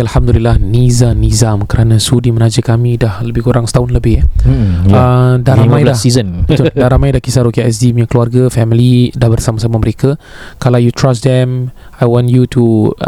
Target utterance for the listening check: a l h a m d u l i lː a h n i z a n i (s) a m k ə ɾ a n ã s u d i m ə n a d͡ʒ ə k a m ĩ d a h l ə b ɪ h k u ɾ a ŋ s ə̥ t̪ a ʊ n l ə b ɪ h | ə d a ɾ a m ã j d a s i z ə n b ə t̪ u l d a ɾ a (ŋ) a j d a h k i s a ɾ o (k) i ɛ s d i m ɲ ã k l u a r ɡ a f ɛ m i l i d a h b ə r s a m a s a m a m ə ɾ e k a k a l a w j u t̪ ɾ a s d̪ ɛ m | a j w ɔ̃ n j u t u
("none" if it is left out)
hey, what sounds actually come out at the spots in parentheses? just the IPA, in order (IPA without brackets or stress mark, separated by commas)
z, m, k